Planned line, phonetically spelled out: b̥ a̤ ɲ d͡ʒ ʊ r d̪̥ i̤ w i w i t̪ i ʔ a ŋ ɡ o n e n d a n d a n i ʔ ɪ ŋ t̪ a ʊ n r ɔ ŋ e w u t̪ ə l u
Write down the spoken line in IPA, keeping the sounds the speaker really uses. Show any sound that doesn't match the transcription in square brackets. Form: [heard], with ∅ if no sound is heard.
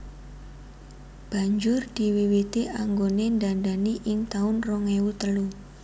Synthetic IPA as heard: b̥ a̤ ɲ d͡ʒ ʊ r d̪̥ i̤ w i w i t̪ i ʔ a ŋ ɡ o n e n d a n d a n i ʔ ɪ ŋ t̪ a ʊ n r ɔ ŋ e w u t̪ ə l u